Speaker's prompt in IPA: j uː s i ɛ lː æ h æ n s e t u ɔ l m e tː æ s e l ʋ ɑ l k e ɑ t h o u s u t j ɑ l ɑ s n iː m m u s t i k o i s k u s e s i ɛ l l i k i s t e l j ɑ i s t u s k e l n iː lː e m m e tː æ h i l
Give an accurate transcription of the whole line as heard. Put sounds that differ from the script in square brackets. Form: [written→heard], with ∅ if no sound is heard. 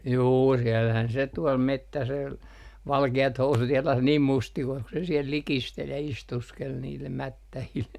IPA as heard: j uː s i ɛ lː æ h æ n s e t u ɔ l m e tː æ s e l ʋ ɑ l k e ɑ t h o u s u t j ɑ l ɑ s n iː m m u s t i k o i s k u s e s i ɛ l l i k i s t e l j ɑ i s t u s k e l n iː lː e m m [e→æ] tː æ h i l